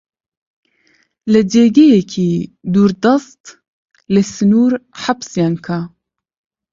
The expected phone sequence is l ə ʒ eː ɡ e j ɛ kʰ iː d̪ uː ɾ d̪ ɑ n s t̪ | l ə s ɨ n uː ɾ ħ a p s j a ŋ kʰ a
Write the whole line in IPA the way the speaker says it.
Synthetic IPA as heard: l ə d͡ʒ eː ɡ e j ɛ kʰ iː d̪ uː ɾ d̪ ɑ s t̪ | l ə s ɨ n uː ɾ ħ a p s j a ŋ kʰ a